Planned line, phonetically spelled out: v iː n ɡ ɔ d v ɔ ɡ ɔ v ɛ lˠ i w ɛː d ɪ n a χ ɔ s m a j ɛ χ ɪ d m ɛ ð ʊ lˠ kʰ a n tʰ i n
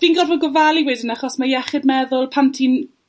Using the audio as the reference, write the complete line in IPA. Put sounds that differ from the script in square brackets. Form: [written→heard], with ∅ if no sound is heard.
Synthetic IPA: v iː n ɡ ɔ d v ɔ ɡ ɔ v [ɛ→a] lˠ i w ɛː d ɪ n a χ ɔ s m a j ɛ χ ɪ d m ɛ ð ʊ lˠ [kʰ→pʰ] a n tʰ i n